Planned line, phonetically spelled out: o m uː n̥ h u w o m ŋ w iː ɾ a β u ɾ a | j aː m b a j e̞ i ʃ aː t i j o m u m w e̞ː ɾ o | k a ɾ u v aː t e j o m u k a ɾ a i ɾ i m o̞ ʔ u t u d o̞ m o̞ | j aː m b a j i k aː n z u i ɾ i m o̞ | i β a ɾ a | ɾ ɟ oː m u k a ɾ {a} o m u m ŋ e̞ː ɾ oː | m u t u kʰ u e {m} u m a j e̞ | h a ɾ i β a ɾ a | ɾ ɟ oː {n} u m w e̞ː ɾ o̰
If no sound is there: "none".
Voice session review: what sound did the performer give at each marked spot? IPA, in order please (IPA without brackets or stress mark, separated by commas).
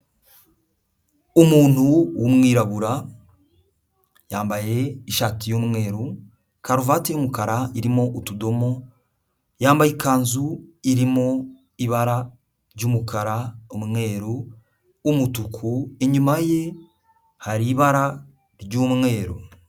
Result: a, ɲ, m